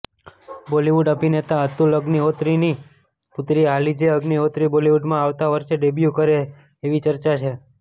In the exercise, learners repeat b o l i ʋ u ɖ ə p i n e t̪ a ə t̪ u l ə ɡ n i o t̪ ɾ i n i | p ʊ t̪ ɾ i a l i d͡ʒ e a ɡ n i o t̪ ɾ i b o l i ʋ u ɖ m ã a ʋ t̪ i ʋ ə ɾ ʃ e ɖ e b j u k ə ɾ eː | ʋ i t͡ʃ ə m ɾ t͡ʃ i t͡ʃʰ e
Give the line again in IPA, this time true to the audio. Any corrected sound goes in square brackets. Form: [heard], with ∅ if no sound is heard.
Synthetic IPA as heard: b o l i ʋ u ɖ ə p i n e t̪ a ə t̪ u l ə ɡ n i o t̪ ɾ i n i | p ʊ t̪ ɾ i a l i d͡ʒ e [ə] ɡ n i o t̪ ɾ i b o l i ʋ u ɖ m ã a ʋ t̪ [a] ʋ ə ɾ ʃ e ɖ e b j u k ə ɾ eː | ʋ i t͡ʃ ə [∅] ɾ t͡ʃ [a] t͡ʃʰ e

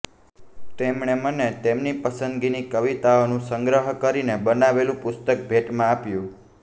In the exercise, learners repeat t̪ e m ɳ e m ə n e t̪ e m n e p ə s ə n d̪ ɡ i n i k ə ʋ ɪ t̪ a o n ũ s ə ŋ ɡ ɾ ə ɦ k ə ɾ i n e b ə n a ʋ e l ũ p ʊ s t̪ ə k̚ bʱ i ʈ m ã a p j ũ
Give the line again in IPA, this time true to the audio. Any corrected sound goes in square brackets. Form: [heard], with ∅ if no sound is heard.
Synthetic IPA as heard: t̪ e m ɳ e m ə n e t̪ e m n [i] p ə s ə n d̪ ɡ i n i k ə ʋ [i] t̪ a o n ũ s ə ŋ ɡ ɾ ə ɦ k ə ɾ i n e b ə n a ʋ e l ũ p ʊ s t̪ ə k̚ bʱ [e] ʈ m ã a p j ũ

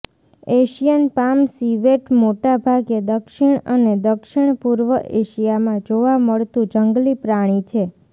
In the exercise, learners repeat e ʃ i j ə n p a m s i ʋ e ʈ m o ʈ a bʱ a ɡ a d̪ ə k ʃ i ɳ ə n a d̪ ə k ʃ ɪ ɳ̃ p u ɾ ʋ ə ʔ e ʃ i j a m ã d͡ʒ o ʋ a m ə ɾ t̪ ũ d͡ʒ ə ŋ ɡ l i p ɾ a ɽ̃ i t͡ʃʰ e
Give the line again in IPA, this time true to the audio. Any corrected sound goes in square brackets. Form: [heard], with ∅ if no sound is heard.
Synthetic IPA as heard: e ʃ i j ə n p a m s i ʋ e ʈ m o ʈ a bʱ a ɡ [e] d̪ ə k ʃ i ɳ ə n [e] d̪ ə k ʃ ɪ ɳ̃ p u ɾ ʋ ə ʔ e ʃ i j a m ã d͡ʒ o ʋ a m ə [ɭ] t̪ ũ d͡ʒ ə ŋ ɡ l i p ɾ a ɽ̃ i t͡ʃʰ e

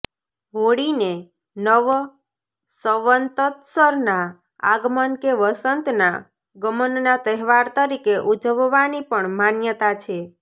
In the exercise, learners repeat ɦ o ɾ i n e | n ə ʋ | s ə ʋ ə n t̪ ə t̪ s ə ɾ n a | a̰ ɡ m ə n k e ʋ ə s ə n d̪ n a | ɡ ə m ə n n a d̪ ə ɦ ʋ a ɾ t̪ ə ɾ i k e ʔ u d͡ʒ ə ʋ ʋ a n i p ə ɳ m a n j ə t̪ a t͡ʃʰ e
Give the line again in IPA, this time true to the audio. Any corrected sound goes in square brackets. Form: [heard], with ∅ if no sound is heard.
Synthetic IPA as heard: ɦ o [ɽ] i n e | n ə ʋ | s ə ʋ ə n t̪ ə t̪ s ə ɾ n a | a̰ ɡ m ə n k e ʋ ə s ə n [t̪] n a | ɡ ə m ə n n a [t̪] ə ɦ ʋ a ɾ t̪ ə ɾ i k e ʔ u d͡ʒ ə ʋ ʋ a n i p ə ɳ m a n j ə t̪ a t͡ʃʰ e

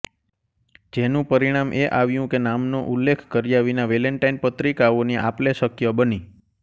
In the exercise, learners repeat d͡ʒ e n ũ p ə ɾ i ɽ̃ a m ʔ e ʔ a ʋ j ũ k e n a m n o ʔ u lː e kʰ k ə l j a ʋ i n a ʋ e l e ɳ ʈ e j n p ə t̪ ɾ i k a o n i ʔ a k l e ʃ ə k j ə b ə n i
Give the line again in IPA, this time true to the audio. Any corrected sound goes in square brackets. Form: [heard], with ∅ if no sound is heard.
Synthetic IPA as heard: d͡ʒ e n ũ p ə ɾ i ɽ̃ a m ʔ e ʔ a ʋ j ũ k e n a m n o ʔ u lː e kʰ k ə [ɾ] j a ʋ i n a ʋ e l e ɳ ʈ [a] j n p ə t̪ ɾ i k a o n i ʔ a [p] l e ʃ ə k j ə b ə n i

